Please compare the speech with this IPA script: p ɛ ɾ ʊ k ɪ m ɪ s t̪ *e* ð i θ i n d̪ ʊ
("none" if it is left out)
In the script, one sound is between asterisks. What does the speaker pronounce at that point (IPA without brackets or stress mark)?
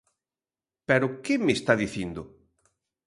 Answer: a